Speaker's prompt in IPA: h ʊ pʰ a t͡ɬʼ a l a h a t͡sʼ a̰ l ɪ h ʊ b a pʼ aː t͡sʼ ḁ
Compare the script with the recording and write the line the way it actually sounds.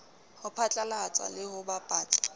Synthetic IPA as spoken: h ʊ pʰ a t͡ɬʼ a l a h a t͡sʼ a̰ l ɪ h ʊ b a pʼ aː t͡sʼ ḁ